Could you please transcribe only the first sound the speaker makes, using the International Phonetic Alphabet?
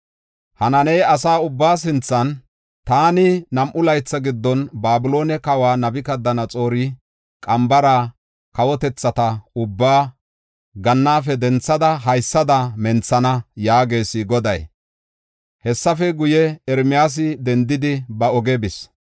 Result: h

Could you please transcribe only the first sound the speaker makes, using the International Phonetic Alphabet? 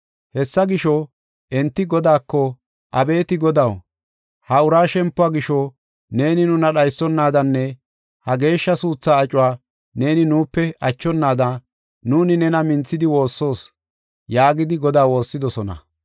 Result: h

